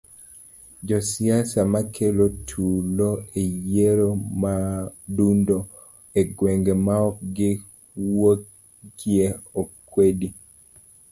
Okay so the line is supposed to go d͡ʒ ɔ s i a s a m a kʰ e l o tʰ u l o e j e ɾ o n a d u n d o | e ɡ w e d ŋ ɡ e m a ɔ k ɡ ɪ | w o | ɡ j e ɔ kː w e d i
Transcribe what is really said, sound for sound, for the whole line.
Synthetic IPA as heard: d͡ʒ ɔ s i a s a m a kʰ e l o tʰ u l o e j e ɾ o m a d u n d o | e ɡ w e ŋ ɡ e m a ɔ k ɡ ɪ | w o | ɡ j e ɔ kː w e d i